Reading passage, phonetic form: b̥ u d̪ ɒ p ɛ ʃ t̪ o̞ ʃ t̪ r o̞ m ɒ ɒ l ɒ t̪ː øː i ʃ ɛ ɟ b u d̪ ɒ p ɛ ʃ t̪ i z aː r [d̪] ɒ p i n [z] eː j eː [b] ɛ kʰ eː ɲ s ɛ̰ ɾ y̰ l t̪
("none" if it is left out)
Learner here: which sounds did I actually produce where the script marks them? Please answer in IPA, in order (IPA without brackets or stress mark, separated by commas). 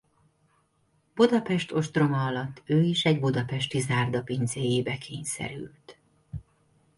d̪, z, b